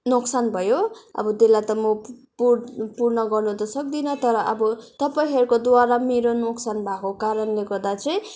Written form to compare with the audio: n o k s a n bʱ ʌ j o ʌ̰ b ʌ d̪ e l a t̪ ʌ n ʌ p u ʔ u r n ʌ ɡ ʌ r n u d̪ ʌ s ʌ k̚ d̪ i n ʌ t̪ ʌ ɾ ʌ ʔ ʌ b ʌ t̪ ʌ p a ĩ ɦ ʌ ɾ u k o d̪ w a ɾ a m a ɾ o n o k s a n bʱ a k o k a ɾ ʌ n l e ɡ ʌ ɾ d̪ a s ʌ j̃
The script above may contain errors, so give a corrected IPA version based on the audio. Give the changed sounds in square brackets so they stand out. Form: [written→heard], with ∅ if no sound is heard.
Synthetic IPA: n o k s a n bʱ ʌ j o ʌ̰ b ʌ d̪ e l a t̪ ʌ [n→m] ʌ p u [ʔ→p] u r n ʌ ɡ ʌ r n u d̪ ʌ s ʌ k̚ d̪ i n ʌ t̪ ʌ ɾ ʌ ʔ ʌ b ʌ t̪ ʌ p a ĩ ɦ ʌ ɾ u k o d̪ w a ɾ a m [a→e] ɾ o n o k s a n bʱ a k o k a ɾ ʌ n l e ɡ ʌ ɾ d̪ a [s→t͡s] ʌ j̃